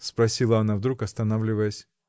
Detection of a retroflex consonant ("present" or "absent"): absent